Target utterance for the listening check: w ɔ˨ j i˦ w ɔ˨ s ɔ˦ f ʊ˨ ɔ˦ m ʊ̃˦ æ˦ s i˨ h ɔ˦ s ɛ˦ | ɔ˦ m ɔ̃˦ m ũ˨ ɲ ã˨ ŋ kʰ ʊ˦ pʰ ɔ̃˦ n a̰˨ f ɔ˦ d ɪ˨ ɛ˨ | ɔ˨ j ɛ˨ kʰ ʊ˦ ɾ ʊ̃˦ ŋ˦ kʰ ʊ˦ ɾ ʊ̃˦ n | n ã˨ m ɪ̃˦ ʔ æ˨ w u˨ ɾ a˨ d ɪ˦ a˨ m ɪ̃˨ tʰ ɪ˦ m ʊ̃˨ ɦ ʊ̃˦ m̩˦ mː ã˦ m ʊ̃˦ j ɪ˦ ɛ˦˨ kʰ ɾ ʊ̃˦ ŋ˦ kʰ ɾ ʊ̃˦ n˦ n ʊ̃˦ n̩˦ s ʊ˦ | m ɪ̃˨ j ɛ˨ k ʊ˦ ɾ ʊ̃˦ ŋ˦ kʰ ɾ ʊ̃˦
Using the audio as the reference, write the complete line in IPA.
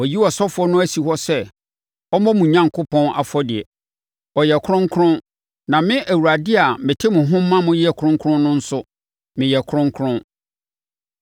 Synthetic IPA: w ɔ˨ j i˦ w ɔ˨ s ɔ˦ f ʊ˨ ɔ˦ n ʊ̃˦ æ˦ s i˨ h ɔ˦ s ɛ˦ | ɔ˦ m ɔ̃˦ m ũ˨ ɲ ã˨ ŋ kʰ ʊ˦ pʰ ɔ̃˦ n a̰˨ f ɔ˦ d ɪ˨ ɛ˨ | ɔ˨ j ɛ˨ kʰ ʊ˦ ɾ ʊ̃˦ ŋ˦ kʰ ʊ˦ ɾ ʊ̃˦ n | n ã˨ m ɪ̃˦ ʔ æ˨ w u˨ ɾ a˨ d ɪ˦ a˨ m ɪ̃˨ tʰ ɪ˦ m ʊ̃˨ ɦ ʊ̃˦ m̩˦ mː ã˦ m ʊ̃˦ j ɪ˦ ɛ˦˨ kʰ ɾ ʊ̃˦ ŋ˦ kʰ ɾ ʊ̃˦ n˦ n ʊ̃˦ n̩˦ s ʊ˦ | m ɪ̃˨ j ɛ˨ kʰ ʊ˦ ɾ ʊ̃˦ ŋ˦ kʰ ɾ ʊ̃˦